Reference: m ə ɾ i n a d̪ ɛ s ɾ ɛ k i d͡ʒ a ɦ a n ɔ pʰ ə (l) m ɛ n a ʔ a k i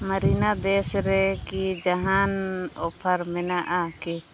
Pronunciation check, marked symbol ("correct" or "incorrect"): incorrect